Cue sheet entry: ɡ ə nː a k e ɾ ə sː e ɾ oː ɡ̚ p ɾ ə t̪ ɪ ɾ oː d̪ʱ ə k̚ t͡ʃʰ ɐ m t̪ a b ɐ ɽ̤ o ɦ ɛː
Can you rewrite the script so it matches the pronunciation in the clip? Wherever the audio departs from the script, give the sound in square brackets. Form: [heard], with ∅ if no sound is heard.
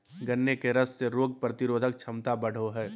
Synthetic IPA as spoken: ɡ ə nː [e] k e ɾ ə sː e ɾ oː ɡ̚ p ɾ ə t̪ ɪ ɾ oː d̪ʱ ə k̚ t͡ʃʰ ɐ m t̪ a b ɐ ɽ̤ o ɦ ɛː